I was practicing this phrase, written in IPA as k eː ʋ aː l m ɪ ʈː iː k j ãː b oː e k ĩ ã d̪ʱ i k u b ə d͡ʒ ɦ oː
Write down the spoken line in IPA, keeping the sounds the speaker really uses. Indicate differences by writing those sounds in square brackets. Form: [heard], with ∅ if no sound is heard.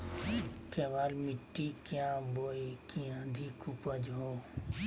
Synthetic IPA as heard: k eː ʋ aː l m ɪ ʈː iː k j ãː b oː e k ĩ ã d̪ʱ i k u [p] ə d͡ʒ ɦ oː